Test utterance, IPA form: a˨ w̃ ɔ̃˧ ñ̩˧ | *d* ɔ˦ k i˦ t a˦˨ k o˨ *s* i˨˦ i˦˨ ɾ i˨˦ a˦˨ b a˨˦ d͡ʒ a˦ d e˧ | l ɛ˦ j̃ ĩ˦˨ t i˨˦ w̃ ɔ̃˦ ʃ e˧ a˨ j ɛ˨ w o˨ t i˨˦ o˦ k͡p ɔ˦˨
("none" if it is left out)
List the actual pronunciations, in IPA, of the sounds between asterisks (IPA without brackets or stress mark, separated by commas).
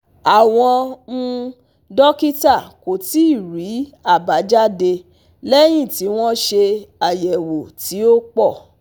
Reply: d, t